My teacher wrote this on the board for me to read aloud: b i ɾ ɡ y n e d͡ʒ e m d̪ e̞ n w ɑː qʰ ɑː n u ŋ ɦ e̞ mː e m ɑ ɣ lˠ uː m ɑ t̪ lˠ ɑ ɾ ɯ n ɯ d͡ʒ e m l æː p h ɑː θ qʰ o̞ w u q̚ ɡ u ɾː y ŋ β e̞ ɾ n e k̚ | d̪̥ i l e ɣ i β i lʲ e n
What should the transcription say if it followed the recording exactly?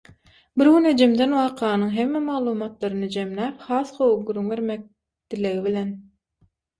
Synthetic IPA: b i ɾ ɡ y n e d͡ʒ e m d̪ e̞ n w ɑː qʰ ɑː n ɯ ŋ ɦ e̞ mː e m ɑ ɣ lˠ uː m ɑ t̪ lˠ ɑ ɾ ɯ n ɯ d͡ʒ e m l æː p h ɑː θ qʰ o̞ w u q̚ ɡ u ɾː y ŋ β e̞ ɾ m e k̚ | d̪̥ i l e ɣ i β i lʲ e n